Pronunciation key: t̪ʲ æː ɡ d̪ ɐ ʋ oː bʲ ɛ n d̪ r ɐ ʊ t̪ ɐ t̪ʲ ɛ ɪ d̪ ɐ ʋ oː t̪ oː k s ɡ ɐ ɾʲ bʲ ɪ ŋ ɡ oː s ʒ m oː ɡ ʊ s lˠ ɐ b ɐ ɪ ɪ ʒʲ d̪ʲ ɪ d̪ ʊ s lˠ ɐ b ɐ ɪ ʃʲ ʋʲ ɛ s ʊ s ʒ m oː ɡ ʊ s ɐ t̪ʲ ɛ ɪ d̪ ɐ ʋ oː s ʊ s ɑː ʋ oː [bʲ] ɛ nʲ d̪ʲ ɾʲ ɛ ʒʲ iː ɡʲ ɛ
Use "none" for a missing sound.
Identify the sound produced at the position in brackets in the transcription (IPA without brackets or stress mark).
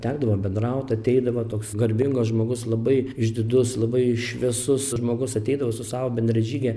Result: bʲ